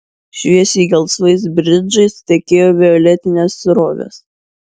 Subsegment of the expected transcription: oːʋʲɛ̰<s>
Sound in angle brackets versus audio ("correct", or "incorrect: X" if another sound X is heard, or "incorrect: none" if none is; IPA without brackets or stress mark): correct